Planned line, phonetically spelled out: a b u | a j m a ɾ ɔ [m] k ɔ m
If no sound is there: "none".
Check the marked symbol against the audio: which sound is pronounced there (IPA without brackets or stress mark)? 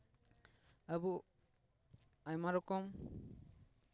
none